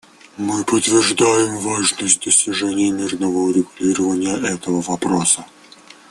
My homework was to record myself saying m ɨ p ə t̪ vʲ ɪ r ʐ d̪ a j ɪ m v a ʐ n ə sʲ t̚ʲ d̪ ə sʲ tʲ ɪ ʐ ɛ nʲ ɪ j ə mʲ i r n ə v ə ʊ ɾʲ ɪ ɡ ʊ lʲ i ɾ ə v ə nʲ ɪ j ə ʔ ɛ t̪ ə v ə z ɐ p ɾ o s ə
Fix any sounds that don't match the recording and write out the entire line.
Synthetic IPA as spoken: m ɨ p ə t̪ vʲ ɪ r ʐ d̪ a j ɪ m v a ʐ n ə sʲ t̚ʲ d̪ ə sʲ tʲ ɪ ʐ ɛ nʲ ɪ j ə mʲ i r n ə v ə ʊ ɾʲ ɪ ɡ ʊ lʲ i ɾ ə v ə nʲ ɪ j ə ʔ ɛ t̪ ə v ə v ɐ p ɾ o s ə